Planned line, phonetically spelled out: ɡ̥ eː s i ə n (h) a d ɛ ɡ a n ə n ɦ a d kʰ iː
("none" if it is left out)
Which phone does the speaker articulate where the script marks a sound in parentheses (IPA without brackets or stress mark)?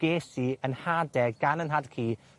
h